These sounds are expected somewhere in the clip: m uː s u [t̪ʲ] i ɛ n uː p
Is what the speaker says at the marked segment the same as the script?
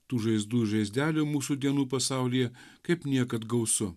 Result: no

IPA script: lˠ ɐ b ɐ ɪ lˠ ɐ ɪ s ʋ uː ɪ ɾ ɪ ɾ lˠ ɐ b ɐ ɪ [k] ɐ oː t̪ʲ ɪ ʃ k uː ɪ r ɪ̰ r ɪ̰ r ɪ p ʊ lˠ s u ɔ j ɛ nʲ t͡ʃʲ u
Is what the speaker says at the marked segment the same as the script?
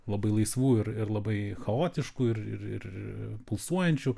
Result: no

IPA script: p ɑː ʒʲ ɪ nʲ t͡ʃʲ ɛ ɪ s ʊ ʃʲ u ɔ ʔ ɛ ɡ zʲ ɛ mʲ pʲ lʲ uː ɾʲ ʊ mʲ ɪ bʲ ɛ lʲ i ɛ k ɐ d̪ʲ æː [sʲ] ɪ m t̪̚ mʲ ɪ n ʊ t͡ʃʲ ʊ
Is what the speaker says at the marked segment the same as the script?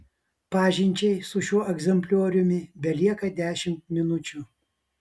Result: no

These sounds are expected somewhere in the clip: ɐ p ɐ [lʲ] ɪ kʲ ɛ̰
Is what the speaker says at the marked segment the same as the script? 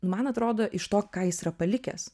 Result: yes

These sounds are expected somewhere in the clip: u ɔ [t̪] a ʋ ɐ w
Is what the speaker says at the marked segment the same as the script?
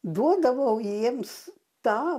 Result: no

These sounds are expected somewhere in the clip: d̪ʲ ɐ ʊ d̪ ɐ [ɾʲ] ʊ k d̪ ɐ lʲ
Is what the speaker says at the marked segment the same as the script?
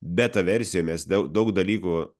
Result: no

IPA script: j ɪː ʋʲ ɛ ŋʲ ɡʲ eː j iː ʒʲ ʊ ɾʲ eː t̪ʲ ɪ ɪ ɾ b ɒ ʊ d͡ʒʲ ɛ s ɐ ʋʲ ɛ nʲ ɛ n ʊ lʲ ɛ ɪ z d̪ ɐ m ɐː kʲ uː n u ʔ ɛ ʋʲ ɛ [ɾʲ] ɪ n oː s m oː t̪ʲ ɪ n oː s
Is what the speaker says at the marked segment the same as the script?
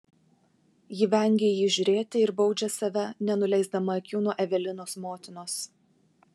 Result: no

